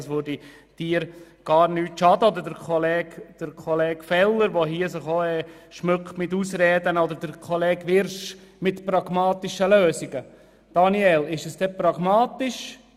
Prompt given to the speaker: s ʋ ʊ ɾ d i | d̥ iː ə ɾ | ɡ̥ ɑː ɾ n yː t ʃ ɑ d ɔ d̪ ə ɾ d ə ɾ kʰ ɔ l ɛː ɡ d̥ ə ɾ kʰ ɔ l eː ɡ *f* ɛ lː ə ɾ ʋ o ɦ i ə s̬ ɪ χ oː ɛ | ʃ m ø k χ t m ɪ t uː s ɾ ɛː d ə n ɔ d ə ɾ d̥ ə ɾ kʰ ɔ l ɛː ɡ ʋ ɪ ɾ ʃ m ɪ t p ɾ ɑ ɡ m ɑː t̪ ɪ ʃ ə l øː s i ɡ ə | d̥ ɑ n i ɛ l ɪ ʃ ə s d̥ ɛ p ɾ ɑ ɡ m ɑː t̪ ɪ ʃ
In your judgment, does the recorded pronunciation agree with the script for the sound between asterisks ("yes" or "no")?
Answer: yes